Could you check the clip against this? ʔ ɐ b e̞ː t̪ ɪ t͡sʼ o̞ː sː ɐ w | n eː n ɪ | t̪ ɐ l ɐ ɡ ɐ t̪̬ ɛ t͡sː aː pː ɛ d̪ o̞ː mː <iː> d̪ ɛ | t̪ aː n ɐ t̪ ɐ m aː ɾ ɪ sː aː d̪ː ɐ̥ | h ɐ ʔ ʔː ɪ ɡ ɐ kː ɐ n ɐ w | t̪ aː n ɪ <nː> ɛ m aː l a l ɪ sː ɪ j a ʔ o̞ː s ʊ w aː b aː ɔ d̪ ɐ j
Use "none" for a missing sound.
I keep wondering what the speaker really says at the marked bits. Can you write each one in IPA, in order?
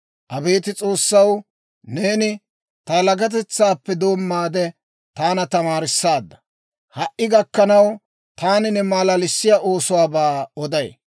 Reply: aː, n

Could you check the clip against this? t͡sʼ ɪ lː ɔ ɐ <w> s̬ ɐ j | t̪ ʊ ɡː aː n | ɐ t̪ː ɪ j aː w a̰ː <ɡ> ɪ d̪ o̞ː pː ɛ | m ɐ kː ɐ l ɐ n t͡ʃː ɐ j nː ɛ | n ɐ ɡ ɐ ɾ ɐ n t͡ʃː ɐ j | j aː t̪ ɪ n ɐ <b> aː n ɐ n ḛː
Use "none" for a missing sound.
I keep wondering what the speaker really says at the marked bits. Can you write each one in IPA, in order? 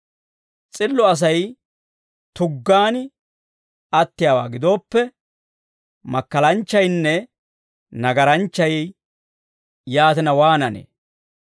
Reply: none, ɡ, w

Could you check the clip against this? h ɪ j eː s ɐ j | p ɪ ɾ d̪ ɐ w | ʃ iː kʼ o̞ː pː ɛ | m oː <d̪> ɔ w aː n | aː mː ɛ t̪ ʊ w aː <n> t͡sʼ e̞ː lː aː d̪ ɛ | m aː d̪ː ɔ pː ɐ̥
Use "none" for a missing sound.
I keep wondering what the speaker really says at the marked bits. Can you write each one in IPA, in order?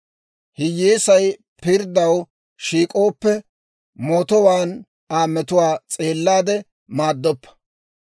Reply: t̪, none

